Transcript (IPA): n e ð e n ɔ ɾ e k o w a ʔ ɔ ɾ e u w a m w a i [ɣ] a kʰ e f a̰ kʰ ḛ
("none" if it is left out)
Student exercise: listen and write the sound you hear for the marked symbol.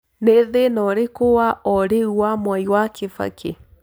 w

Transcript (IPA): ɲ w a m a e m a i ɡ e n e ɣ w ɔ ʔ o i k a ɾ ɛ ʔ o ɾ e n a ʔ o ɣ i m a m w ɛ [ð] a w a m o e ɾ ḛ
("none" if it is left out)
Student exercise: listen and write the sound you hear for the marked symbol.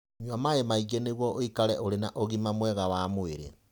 ɣ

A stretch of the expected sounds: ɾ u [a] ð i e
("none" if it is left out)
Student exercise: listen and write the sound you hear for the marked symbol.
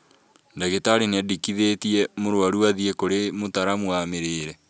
a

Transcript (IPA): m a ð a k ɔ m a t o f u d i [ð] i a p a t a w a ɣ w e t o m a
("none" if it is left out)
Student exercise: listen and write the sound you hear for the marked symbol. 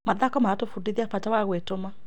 ð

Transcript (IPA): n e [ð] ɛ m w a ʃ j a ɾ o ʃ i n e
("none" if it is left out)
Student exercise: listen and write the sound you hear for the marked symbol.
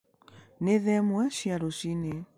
ð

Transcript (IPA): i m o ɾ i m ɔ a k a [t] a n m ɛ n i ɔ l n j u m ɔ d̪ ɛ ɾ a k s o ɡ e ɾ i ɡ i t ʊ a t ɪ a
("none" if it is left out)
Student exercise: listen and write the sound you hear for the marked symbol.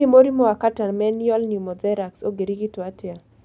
t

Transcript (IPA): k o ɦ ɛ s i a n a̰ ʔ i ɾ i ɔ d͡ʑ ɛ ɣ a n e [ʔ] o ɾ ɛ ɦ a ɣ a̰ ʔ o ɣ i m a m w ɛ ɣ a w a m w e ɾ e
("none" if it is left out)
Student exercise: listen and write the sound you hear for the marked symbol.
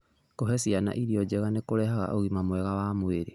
k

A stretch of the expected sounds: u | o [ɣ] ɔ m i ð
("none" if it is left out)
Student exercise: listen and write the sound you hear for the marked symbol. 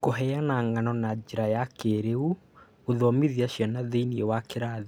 ð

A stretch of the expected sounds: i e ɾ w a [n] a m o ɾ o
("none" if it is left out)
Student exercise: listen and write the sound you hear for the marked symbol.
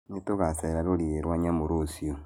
ɲ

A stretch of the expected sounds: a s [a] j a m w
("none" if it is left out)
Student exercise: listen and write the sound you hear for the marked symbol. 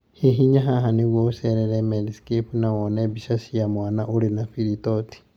i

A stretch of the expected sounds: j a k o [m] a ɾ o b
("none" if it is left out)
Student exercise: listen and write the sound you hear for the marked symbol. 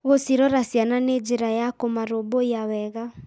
m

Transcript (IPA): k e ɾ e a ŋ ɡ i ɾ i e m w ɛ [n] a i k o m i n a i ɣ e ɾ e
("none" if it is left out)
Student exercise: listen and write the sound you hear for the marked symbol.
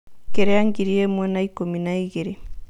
n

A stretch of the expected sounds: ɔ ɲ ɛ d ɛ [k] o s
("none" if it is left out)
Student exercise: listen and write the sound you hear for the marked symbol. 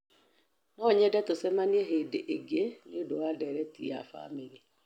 t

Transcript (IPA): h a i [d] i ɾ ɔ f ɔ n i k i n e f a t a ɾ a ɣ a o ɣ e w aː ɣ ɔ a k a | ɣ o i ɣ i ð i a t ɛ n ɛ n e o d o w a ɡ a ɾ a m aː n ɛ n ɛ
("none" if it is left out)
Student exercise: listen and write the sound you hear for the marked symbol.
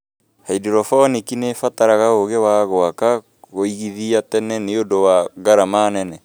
d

